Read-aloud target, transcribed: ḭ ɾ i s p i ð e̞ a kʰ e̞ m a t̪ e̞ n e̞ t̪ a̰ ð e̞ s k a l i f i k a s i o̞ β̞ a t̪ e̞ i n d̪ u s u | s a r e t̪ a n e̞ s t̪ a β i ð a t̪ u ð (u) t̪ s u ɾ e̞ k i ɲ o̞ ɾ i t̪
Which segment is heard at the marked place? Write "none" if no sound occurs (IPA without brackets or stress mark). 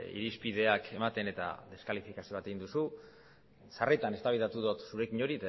o